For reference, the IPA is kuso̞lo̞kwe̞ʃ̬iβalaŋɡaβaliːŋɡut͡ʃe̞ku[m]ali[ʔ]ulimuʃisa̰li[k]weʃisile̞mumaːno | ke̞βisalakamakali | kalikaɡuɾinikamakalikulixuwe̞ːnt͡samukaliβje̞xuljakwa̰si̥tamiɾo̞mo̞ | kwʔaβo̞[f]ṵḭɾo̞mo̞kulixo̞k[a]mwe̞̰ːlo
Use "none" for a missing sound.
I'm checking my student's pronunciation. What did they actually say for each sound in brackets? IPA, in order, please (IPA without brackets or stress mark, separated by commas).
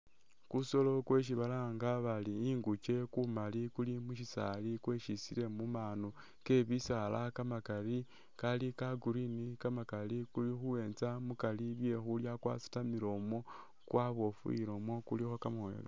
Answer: m, k, k, f, a